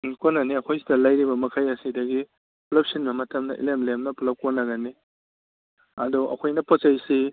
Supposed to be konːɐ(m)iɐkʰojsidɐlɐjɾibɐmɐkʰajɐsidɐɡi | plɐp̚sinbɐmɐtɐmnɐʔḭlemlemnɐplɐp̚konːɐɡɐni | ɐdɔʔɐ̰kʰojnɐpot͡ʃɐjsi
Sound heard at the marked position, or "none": n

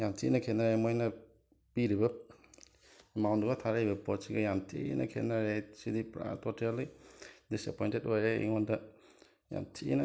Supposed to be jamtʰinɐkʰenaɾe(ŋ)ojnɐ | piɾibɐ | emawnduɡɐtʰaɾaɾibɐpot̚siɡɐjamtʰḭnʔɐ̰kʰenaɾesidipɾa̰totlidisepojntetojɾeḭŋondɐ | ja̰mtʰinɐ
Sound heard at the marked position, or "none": m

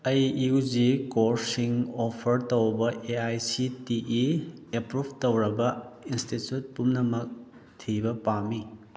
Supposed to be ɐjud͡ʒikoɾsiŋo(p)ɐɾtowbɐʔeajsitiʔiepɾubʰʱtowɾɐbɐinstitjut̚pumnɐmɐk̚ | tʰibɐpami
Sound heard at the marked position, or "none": pʰ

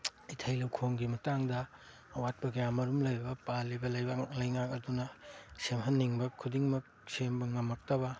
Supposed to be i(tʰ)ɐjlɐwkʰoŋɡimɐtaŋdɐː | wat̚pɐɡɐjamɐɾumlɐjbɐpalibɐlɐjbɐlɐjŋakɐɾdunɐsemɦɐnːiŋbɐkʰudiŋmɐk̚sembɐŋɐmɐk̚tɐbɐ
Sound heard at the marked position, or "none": tʰ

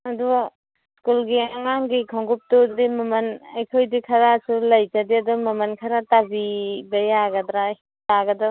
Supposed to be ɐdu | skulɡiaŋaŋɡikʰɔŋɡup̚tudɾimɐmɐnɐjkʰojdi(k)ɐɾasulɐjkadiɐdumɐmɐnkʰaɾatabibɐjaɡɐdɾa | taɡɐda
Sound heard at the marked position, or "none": kʰ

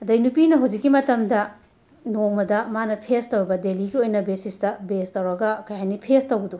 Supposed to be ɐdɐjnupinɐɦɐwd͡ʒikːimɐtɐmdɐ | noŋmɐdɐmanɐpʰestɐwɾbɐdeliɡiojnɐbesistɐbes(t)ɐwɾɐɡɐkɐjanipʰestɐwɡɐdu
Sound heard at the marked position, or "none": t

